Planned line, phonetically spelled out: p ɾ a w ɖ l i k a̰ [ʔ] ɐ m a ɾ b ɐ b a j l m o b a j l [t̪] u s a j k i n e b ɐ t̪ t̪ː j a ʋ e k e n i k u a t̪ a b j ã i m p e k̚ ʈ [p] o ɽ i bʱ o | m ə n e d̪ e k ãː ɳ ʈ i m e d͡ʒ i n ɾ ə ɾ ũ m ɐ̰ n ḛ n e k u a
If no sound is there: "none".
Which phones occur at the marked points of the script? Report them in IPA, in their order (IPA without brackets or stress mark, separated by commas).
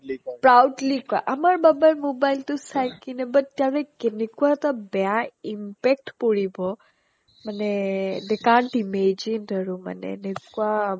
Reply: ʔ, t̪, p